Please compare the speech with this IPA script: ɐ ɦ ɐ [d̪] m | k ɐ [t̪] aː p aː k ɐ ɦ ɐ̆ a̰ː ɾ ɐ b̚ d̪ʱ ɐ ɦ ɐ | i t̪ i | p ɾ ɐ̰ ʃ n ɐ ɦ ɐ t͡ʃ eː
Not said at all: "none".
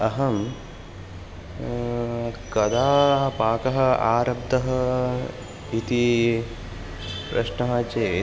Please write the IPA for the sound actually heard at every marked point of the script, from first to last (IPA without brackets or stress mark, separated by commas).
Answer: none, d̪